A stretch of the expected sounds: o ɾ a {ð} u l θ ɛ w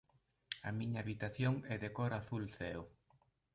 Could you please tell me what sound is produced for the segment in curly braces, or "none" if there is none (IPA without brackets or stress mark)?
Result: θ